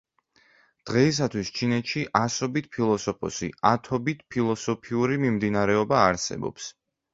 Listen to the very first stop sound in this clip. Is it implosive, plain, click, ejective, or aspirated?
plain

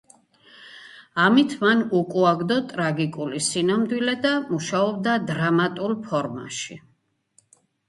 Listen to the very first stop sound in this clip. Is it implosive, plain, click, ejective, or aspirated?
aspirated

